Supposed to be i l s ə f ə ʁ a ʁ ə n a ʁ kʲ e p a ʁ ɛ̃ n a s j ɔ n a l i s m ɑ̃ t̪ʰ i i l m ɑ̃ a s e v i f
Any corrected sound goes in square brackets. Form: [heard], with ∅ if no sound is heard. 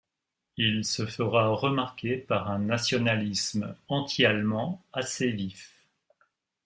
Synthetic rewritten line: i l s ə f ə ʁ a ʁ ə [m] a ʁ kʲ e p a ʁ ɛ̃ n a s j ɔ n a l i s m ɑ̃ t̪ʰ i [a] l m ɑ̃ a s e v i f

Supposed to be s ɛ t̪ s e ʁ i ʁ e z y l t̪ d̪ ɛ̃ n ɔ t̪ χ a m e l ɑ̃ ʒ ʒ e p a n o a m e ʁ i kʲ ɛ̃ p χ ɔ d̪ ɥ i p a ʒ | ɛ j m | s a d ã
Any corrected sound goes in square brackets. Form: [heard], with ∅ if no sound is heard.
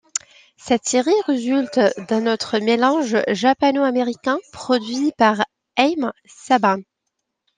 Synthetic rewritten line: s ɛ t̪ s e ʁ i ʁ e z y l t̪ d̪ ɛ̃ n ɔ t̪ χ [ə] m e l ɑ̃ ʒ ʒ [a] p a n o a m e ʁ i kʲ ɛ̃ p χ ɔ d̪ ɥ i p a [ʁ] | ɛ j m | s a [b] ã

